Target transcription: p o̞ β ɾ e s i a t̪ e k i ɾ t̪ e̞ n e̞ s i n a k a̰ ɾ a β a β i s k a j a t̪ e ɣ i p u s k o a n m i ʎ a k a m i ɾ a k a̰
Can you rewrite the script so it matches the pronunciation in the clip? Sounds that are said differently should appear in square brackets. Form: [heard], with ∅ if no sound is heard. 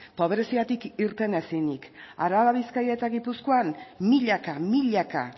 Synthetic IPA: p o̞ β ɾ e s i a t̪ [i] k i ɾ t̪ e̞ n e̞ s i n [i] k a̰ ɾ a β a β i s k a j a t̪ [a] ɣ i p u s k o a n m i ʎ a k a m i [ʎ] a k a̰